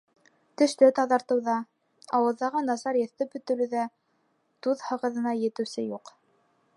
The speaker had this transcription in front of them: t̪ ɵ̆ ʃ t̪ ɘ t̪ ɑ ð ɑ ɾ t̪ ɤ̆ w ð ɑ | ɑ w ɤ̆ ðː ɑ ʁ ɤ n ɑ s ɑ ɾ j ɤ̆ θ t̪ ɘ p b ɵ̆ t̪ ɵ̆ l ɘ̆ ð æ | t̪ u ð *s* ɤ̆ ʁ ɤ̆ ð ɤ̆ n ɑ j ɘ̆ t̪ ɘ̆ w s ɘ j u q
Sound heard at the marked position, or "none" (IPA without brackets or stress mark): h